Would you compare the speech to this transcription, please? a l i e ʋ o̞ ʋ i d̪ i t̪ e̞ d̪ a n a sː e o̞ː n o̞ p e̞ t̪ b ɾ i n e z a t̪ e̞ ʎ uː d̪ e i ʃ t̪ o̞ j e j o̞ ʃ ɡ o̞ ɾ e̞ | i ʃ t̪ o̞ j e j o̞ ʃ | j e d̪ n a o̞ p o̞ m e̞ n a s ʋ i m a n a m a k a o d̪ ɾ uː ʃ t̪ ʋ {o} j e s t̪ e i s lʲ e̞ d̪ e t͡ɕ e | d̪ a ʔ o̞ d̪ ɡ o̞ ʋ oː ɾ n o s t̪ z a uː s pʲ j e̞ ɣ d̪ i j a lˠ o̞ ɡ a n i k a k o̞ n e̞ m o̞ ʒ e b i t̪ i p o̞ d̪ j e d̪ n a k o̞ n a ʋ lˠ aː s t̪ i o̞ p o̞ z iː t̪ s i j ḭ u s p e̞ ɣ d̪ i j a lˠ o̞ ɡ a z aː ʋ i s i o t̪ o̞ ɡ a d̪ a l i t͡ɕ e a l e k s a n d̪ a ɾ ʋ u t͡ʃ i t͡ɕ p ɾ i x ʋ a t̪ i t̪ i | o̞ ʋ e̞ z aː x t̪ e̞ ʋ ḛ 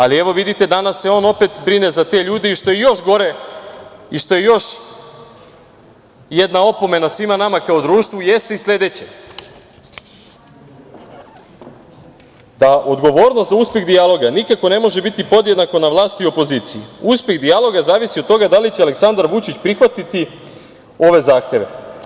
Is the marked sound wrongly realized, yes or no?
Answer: yes